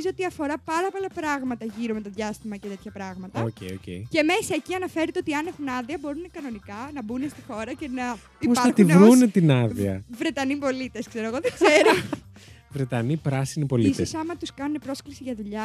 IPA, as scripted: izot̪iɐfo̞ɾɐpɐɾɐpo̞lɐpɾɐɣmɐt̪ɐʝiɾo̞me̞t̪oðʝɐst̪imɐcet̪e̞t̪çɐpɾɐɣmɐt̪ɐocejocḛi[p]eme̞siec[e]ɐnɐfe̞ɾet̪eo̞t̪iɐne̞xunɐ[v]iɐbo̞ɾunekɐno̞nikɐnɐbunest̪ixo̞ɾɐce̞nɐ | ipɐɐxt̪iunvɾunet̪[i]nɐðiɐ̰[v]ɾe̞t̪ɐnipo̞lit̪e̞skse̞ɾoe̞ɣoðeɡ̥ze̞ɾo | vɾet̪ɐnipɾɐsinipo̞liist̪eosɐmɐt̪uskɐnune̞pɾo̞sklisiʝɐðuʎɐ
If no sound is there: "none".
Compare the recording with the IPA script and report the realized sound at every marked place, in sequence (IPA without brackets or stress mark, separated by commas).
c, i, ð, i, v